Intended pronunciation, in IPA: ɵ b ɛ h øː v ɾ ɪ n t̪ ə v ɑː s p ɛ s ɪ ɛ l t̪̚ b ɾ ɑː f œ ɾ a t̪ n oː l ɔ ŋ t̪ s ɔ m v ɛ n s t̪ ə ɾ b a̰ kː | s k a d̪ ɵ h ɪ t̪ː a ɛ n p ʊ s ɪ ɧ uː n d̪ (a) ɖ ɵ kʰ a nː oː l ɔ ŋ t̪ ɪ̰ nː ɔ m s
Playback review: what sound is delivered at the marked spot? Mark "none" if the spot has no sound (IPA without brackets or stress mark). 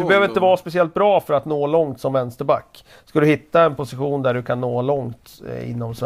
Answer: æ